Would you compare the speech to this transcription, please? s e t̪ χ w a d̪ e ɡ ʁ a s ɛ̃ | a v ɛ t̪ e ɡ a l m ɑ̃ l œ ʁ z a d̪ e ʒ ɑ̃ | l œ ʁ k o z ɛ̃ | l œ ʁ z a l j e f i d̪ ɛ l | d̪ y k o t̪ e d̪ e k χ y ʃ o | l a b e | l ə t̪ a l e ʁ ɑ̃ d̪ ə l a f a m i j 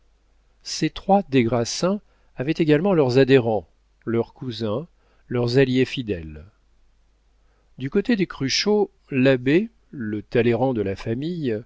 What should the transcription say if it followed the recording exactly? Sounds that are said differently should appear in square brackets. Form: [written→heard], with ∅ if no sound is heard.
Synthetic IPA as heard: s e t̪ χ w a d̪ e ɡ ʁ a s ɛ̃ | a v ɛ t̪ e ɡ a l m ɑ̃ l œ ʁ z a d̪ e [ʒ→ʁ] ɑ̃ | l œ ʁ k [o→u] z ɛ̃ | l œ ʁ z a l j e f i d̪ ɛ l | d̪ y k o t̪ e d̪ e k χ y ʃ o | l a b e | l ə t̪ a l e ʁ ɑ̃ d̪ ə l a f a m i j